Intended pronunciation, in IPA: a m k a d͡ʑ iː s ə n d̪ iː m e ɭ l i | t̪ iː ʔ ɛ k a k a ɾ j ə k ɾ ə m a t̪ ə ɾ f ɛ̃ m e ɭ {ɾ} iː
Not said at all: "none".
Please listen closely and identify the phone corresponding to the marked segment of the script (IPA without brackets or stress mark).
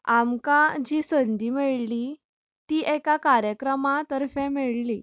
l